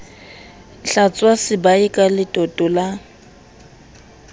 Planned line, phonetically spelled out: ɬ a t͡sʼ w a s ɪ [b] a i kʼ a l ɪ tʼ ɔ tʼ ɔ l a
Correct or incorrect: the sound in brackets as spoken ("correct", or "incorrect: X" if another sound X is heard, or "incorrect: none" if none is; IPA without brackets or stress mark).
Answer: correct